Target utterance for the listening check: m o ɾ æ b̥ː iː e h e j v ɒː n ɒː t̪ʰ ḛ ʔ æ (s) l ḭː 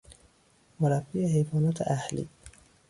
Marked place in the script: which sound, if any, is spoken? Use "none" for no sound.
h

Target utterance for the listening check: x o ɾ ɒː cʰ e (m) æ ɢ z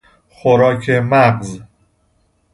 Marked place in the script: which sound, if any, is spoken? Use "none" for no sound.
m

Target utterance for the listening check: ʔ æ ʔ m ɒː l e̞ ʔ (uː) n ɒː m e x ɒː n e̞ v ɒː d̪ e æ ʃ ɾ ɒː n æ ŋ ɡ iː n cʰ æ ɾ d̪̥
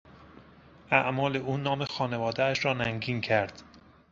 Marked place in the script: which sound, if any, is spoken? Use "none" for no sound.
uː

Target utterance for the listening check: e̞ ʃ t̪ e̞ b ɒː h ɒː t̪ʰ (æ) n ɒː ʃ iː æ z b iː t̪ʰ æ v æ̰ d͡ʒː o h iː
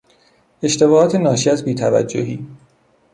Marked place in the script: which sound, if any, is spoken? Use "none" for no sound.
e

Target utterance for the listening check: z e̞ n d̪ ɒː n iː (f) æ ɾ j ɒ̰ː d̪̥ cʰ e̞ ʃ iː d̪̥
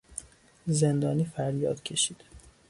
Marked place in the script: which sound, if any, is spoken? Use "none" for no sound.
f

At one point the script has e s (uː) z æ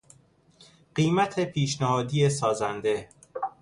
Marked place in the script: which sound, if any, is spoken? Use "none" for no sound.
ɒː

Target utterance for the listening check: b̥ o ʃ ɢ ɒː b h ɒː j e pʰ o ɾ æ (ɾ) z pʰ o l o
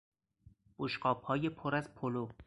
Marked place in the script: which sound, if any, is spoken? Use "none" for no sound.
none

